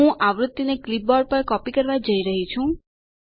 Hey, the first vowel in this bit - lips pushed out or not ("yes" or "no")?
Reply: yes